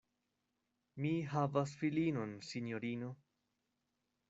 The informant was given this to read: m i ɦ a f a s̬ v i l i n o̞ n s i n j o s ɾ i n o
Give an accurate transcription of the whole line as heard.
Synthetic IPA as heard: m i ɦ a v a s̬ f i l i n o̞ n s i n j o ɾ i n o